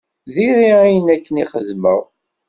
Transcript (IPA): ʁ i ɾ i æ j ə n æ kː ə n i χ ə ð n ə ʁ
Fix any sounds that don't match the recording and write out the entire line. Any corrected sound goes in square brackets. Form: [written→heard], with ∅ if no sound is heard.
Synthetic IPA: [ʁ→ð] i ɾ i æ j ə n æ kː ə n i χ ə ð [n→m] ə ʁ